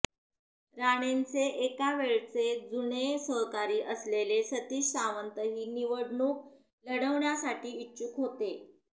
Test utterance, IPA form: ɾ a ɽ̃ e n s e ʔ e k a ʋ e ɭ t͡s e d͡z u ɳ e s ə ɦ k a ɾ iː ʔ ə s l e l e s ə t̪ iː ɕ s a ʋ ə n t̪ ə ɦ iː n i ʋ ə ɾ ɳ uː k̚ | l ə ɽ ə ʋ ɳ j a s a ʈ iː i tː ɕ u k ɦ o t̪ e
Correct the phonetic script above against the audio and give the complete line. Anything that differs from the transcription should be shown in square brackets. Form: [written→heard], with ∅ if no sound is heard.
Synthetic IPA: ɾ a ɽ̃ e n [s→t͡s] e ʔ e k a ʋ e ɭ t͡s e d͡z u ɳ e s ə ɦ k a ɾ iː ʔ ə s l e l e s ə t̪ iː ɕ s a ʋ ə n t̪ ə ɦ iː n i ʋ ə [ɾ→ɽ] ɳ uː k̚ | l ə ɽ ə ʋ ɳ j a s a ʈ iː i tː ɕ u k ɦ o t̪ e